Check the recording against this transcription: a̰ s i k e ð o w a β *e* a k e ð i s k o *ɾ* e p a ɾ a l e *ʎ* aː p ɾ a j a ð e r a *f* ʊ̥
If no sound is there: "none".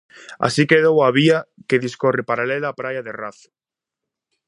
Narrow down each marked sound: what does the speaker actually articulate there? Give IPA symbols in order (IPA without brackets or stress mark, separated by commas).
i, r, l, θ